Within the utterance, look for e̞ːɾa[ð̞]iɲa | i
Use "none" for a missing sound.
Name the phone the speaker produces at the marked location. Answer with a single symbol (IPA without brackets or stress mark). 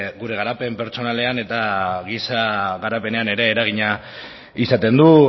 ɣ̞